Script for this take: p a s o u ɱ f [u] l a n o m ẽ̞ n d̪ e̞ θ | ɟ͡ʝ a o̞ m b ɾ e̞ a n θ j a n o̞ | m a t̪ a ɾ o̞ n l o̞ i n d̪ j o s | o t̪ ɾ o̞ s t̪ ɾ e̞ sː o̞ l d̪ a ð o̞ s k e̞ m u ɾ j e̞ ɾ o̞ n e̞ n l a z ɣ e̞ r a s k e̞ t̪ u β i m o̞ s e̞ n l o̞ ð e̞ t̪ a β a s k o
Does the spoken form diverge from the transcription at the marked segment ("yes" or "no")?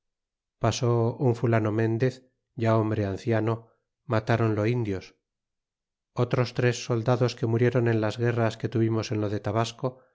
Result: no